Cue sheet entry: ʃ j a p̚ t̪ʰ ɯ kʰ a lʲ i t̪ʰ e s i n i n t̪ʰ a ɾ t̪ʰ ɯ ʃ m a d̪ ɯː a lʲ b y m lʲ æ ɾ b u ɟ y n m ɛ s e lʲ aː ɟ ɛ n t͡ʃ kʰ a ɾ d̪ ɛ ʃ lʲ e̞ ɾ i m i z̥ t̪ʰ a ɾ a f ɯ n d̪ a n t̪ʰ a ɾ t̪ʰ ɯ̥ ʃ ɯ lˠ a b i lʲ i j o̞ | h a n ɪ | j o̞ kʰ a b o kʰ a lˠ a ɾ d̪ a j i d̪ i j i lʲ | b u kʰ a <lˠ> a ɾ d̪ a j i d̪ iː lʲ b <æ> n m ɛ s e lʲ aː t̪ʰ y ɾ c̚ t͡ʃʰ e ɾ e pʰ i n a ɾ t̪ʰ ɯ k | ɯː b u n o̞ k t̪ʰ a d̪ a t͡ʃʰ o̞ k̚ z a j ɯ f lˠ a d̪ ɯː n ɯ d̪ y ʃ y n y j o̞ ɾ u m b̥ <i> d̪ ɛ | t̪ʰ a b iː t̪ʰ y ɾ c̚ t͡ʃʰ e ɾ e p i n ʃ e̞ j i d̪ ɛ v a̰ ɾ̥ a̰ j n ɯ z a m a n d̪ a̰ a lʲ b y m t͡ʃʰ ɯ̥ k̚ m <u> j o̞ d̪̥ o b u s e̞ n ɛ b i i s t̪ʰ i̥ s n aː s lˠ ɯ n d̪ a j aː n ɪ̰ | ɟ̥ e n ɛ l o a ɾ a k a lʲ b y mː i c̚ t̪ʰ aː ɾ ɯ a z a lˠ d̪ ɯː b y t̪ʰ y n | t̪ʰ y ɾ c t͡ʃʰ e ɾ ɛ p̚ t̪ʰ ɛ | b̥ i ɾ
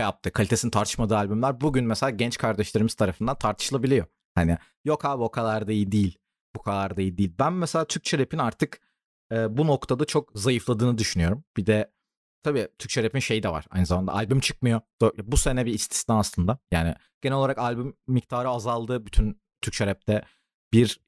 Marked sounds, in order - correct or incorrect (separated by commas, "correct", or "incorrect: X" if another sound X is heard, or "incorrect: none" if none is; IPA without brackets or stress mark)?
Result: correct, correct, correct, incorrect: ɯ